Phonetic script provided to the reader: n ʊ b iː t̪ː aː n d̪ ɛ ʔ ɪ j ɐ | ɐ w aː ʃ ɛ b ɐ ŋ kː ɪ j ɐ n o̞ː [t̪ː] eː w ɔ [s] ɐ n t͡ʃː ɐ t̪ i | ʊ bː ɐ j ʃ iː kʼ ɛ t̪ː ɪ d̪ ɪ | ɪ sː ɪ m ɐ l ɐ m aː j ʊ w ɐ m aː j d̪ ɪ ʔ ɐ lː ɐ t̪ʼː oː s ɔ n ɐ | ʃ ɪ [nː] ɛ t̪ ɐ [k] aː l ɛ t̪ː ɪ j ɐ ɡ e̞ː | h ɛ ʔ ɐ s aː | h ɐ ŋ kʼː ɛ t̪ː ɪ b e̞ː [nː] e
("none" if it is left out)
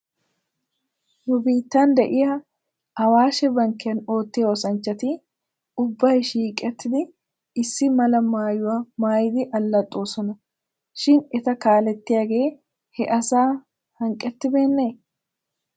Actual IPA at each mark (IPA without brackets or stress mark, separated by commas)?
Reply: t̪ː, s, n, k, nː